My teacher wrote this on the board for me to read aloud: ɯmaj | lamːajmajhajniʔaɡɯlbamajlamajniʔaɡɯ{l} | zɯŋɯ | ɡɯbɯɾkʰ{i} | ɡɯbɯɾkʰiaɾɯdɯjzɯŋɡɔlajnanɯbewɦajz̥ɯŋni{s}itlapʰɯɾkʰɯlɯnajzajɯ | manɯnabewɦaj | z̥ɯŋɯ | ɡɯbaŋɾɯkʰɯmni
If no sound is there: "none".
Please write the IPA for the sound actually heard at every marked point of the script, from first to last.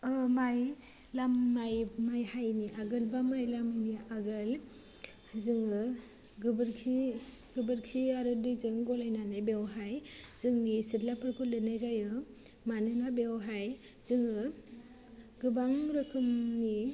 l, i, s

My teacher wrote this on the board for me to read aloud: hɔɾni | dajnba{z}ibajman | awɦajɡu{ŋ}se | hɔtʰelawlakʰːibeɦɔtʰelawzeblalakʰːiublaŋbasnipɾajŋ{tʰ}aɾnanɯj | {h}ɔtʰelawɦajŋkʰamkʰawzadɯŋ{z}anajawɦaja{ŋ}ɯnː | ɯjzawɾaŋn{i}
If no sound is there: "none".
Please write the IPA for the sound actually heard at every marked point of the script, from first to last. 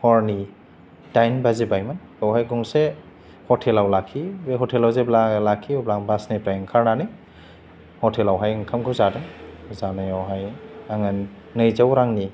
z, ŋ, kʰ, h, z, ŋ, i

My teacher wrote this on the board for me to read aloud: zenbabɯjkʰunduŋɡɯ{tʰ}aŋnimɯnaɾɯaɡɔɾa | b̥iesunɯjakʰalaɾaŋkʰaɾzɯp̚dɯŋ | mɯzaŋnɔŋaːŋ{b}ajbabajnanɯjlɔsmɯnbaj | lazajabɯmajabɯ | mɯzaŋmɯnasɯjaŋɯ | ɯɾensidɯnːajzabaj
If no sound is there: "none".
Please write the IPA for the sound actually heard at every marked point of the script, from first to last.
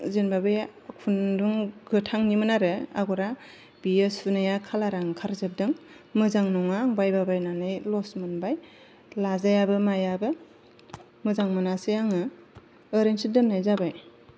tʰ, b

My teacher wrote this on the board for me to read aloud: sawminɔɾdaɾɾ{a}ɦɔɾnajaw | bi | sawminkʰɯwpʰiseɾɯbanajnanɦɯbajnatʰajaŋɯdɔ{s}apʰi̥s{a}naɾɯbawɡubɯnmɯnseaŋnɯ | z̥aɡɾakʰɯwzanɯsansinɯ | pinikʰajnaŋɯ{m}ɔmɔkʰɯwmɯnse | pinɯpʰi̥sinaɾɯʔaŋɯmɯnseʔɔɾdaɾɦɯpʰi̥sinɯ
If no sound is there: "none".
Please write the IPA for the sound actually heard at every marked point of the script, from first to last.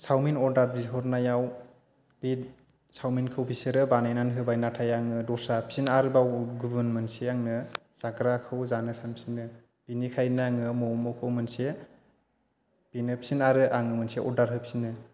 i, s, i, m

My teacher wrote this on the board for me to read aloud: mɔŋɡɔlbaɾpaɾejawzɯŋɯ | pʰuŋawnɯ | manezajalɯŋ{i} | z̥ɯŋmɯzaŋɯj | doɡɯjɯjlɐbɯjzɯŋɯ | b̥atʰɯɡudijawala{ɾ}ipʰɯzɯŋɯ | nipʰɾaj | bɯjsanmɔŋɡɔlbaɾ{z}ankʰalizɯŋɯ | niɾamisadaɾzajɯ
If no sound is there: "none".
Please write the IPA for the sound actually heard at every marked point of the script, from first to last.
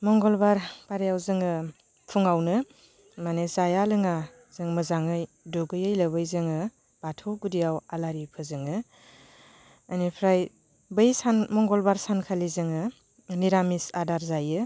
a, ɾ, s

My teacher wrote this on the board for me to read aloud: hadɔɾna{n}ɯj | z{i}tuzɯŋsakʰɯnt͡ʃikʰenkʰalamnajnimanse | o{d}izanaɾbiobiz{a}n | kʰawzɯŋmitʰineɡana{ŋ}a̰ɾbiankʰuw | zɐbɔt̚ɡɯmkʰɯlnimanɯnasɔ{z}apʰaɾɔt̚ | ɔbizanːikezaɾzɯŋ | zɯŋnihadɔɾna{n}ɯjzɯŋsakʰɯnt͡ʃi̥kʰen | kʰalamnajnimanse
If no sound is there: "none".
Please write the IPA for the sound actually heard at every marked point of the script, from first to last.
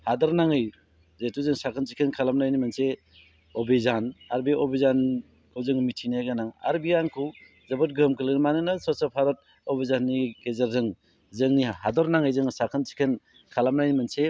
ŋ, e, b, a, ŋ, s, ŋ

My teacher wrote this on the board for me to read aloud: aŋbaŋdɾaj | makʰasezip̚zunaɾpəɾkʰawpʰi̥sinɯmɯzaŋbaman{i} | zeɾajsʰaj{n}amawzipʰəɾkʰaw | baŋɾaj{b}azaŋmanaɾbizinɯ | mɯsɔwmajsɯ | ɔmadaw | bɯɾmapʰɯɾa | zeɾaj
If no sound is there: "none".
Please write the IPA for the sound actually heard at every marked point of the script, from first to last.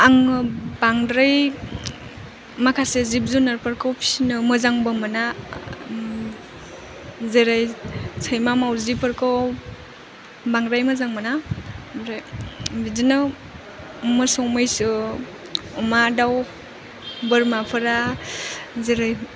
a, m, m

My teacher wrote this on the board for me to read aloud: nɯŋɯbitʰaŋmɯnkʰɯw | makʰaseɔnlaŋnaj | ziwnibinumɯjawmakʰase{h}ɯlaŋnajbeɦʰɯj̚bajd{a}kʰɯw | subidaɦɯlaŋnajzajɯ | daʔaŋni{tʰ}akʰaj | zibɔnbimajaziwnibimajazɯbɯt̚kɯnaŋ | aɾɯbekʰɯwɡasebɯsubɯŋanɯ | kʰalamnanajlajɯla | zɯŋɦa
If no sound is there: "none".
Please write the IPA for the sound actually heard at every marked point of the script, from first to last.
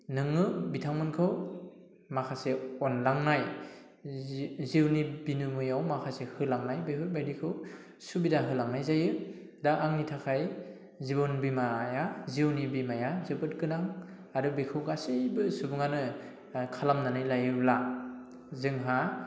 h, i, tʰ

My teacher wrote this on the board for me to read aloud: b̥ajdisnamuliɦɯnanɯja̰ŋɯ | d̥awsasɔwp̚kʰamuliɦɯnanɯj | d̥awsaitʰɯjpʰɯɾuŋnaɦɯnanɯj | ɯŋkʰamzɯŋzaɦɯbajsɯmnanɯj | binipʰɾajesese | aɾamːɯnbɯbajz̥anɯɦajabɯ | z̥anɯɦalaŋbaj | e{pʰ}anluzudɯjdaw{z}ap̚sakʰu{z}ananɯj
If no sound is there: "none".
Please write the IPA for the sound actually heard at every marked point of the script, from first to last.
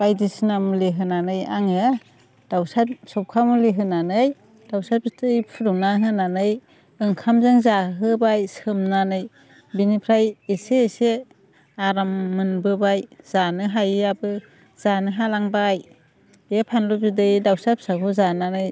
pʰ, s, z

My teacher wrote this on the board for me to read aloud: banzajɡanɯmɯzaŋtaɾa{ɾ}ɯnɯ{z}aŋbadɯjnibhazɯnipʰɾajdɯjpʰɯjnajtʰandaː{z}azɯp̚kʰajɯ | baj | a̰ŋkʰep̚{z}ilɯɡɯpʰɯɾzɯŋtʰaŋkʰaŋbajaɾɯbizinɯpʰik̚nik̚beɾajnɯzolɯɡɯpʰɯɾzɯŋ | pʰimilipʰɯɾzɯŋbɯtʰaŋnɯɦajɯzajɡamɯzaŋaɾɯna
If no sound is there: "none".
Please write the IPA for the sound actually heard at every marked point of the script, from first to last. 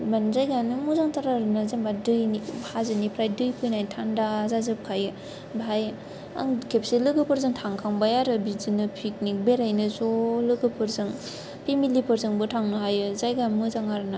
ɾ, z, z, s

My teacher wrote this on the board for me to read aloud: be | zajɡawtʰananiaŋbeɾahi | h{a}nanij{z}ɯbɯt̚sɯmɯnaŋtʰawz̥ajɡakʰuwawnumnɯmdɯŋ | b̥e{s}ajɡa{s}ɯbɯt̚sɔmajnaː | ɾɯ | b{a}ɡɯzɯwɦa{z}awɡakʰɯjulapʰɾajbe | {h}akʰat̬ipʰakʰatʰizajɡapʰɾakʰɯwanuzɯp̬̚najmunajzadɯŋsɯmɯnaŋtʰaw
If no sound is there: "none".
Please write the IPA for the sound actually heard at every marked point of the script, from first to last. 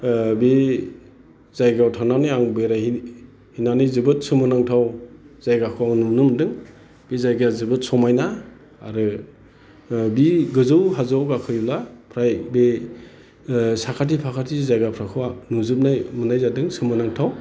i, z, z, z, i, z, s

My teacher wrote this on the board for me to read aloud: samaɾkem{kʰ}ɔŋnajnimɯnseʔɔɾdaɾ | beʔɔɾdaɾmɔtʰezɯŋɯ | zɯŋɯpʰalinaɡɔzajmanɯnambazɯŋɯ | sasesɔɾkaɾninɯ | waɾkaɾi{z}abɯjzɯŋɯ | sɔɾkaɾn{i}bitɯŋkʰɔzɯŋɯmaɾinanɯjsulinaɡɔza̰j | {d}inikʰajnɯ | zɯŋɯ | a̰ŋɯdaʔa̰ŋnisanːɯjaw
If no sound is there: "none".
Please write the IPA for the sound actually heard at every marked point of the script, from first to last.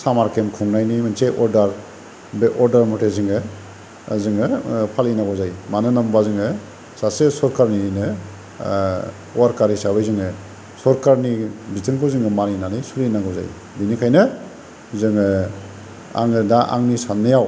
kʰ, s, i, b

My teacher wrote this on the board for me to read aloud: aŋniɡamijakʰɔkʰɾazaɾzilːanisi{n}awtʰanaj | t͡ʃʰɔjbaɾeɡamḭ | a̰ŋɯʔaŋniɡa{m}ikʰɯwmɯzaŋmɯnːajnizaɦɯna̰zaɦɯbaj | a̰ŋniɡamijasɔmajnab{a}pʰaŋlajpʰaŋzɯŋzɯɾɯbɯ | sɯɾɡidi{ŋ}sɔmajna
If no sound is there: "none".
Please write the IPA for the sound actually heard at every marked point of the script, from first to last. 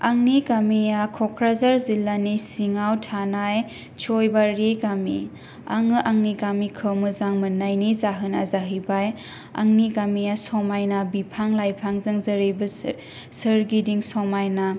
ŋ, m, i, ŋ

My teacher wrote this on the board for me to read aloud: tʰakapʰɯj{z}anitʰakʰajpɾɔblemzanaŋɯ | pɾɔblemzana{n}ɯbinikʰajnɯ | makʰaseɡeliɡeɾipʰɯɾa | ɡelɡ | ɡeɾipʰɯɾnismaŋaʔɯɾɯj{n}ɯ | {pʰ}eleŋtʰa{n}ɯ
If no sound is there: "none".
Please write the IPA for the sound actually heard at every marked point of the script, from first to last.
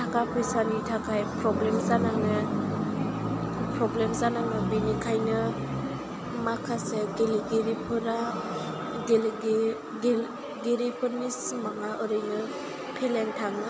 s, ŋ, n, pʰ, ŋ

